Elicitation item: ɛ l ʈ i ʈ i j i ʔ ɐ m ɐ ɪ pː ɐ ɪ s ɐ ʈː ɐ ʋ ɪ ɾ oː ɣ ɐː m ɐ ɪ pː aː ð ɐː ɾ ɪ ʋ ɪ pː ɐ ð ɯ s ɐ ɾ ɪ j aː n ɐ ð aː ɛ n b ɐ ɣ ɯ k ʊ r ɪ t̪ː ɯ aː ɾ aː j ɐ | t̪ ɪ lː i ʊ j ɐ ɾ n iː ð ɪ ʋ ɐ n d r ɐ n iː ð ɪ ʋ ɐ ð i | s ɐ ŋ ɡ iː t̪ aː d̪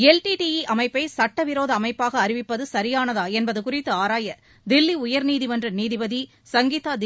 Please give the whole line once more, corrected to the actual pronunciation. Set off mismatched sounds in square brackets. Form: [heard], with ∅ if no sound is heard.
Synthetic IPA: ɛ l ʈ i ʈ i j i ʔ ɐ m ɐ ɪ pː ɐ ɪ s ɐ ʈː ɐ ʋ ɪ ɾ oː [ð] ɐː m ɐ ɪ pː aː [ɣ] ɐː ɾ ɪ ʋ ɪ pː ɐ ð ɯ s ɐ ɾ ɪ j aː n ɐ ð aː ɛ n b ɐ [ð] ɯ k ʊ r ɪ t̪ː ɯ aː ɾ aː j ɐ | [d̪] ɪ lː i ʊ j ɐ ɾ n iː ð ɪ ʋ ɐ n d r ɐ n iː ð ɪ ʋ ɐ ð i | s ɐ ŋ ɡ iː t̪ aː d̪

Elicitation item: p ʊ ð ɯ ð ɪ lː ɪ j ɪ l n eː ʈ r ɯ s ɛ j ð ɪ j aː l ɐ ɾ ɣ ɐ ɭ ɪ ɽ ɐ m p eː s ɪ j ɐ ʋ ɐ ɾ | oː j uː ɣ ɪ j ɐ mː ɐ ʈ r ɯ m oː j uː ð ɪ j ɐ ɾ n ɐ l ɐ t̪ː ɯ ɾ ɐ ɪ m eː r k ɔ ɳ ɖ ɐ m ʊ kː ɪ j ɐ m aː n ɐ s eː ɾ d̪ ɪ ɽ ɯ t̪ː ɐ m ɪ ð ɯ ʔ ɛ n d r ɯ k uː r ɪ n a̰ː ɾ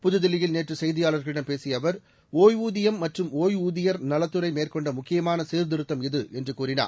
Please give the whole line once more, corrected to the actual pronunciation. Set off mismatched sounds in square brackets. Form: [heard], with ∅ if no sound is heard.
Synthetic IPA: p ʊ ð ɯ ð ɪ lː ɪ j ɪ l n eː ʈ r ɯ s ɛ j ð ɪ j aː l ɐ ɾ ɣ ɐ ɭ ɪ ɽ ɐ m p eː s ɪ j ɐ ʋ ɐ ɾ | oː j uː [ð] ɪ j ɐ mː ɐ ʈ r ɯ m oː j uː ð ɪ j ɐ ɾ n ɐ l ɐ t̪ː ɯ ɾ ɐ ɪ m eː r k ɔ ɳ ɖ ɐ m ʊ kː ɪ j ɐ m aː n ɐ s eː ɾ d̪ ɪ [ɾ] ɯ t̪ː ɐ m ɪ ð ɯ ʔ ɛ n d r ɯ k uː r ɪ n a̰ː ɾ

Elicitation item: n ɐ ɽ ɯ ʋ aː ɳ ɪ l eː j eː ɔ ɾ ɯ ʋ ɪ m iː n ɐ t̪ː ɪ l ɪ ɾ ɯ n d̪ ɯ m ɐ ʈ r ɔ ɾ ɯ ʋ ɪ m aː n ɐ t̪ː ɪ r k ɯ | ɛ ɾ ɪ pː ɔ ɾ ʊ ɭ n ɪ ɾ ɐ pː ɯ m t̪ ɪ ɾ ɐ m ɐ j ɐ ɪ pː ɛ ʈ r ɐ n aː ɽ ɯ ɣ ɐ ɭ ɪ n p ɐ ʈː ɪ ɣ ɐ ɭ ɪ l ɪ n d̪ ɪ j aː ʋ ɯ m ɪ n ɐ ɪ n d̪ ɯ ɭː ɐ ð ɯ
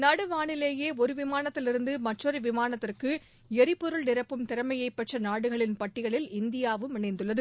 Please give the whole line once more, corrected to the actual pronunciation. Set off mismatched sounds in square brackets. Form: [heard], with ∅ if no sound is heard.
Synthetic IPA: n ɐ ɽ ɯ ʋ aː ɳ ɪ l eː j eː ɔ ɾ ɯ ʋ ɪ m [aː] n ɐ t̪ː ɪ l ɪ ɾ ɯ n d̪ ɯ m ɐ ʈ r ɔ ɾ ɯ ʋ ɪ m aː n ɐ t̪ː ɪ r k ɯ | ɛ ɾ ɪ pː ɔ ɾ [ɯ] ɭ n ɪ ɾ ɐ pː ɯ m t̪ ɪ ɾ ɐ m ɐ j ɐ ɪ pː ɛ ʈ r ɐ n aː ɽ ɯ ɣ ɐ ɭ ɪ n p ɐ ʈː ɪ ɣ ɐ ɭ ɪ l ɪ n d̪ ɪ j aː ʋ ɯ m ɪ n ɐ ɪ n d̪ ɯ ɭː ɐ ð ɯ

